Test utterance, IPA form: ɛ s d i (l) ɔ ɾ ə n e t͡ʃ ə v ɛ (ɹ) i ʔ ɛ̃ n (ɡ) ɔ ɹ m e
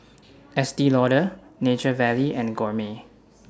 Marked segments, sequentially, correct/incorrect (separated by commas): correct, incorrect, correct